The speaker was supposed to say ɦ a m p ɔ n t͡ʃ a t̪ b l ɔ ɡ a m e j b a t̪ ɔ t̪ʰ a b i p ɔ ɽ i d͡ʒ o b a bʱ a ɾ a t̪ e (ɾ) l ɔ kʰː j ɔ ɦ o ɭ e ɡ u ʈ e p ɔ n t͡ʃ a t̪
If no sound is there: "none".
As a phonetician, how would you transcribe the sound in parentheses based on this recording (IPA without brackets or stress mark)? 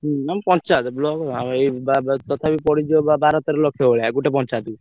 ɾ